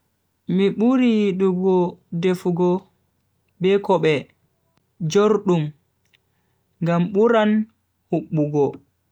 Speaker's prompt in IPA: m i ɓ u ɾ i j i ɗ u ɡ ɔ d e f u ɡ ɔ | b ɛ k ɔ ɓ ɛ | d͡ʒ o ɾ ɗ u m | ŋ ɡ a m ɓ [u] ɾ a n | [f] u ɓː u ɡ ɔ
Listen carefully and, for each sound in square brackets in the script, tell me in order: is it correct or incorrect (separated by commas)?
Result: correct, incorrect